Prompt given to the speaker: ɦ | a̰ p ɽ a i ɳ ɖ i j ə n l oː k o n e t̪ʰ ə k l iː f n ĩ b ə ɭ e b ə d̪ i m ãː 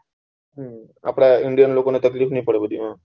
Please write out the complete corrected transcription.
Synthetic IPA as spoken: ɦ | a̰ p ɽ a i ɳ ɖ i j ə n l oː k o n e t̪ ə k l iː f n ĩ p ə ɽ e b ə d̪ i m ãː